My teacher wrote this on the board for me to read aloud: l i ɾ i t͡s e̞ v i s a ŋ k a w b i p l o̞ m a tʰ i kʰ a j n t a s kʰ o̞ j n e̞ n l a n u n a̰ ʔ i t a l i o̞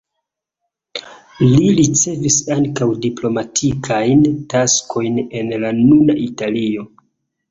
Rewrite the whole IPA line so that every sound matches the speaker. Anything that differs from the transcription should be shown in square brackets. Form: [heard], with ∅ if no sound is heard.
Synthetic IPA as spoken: l i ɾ i t͡s e̞ v i s a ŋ k a w [d] i p l o̞ m a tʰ i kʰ a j n t a s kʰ o̞ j n e̞ n l a n u n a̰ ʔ i t a l i o̞